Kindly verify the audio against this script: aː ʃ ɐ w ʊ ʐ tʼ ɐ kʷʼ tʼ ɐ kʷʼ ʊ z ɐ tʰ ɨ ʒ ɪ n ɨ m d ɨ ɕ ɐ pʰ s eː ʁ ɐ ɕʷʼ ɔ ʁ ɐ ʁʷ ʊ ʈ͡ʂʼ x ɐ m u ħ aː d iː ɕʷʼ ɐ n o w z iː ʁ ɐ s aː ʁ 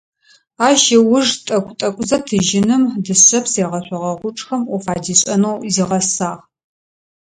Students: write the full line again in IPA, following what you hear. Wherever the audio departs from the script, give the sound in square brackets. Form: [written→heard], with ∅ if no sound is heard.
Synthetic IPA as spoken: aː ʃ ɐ w ʊ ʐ tʼ ɐ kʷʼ tʼ ɐ kʷʼ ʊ z ɐ tʰ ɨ ʒ ɪ n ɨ m d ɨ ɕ ɐ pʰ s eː ʁ ɐ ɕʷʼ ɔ ʁ ɐ ʁʷ ʊ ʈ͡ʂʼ x ɐ m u [ħ→f] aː d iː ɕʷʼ ɐ n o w z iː ʁ ɐ s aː ʁ